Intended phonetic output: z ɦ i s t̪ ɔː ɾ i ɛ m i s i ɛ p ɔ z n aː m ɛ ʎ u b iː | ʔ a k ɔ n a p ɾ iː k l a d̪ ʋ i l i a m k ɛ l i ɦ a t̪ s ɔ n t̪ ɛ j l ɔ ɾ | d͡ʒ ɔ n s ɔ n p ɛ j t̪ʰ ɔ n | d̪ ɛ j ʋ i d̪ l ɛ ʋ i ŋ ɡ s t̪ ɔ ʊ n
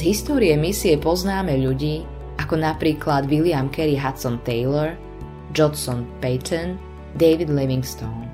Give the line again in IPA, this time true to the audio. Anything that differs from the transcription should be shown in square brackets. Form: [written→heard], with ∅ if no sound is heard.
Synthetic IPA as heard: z ɦ i s t̪ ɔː ɾ i ɛ m i s i ɛ p ɔ z n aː m ɛ ʎ u [b→ɟ] iː | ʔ a k ɔ n a p ɾ iː k l a d̪ ʋ i l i a m k ɛ [l→ɾ] i ɦ a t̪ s ɔ n t̪ ɛ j l ɔ ɾ | d͡ʒ ɔ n s ɔ n p ɛ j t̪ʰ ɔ n | d̪ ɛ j ʋ i d̪ l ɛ ʋ i ŋ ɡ s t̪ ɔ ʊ n